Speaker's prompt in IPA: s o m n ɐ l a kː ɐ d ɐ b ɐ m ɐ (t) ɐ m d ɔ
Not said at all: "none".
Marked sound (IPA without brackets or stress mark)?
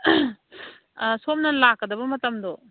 t